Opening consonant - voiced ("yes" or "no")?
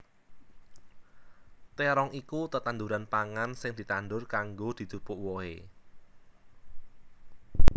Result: no